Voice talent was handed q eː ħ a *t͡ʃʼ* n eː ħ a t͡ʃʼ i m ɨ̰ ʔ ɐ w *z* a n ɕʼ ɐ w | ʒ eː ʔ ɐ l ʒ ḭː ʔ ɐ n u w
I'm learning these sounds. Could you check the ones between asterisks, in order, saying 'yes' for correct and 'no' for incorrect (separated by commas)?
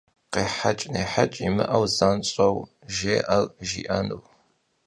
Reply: yes, yes